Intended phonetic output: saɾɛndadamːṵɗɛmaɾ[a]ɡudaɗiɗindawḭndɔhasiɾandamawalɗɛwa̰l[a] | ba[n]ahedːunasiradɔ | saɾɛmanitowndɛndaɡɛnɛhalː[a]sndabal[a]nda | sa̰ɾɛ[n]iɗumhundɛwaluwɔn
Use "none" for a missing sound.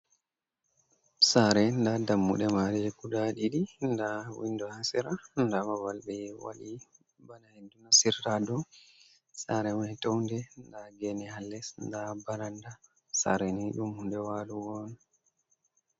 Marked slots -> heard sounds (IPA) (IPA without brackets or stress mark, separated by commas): ɛ, i, n, ɛ, a, n